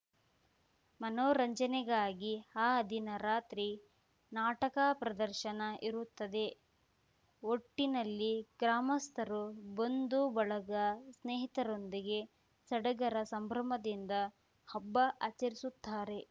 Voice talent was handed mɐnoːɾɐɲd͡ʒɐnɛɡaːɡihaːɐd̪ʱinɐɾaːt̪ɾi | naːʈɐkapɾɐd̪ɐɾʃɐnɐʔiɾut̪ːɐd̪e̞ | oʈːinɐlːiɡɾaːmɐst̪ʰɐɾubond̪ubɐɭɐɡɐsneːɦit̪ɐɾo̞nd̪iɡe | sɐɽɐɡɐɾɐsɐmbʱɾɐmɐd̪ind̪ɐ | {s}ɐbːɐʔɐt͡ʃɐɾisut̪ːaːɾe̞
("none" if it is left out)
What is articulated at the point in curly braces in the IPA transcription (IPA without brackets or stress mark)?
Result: h